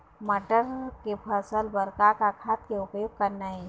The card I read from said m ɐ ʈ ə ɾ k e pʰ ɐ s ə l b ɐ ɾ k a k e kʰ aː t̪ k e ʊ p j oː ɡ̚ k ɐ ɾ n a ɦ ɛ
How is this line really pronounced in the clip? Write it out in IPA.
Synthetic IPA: m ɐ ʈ ə ɾ k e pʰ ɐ s ə l b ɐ ɾ k a k a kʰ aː t̪ k e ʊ p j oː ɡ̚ k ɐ ɾ n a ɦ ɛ